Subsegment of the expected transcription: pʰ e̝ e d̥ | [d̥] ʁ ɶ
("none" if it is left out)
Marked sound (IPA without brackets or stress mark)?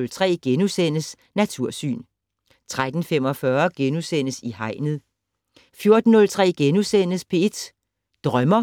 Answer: d̥